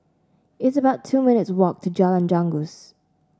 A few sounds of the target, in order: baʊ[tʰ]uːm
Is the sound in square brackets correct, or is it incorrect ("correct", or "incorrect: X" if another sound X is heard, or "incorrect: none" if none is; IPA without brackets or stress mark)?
correct